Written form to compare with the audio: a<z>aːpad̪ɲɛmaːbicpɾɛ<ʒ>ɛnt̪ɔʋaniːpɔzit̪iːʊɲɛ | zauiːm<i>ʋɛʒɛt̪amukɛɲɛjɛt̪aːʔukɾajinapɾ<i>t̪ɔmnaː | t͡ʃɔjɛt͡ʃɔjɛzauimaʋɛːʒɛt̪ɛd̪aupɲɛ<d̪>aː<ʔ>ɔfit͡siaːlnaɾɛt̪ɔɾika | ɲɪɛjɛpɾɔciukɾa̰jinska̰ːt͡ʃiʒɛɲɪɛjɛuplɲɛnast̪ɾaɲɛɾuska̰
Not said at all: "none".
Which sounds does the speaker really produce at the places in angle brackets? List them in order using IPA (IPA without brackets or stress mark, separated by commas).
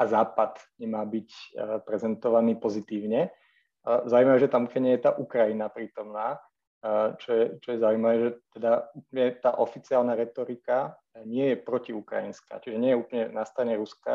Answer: z, z, a, iː, t̪, ʔ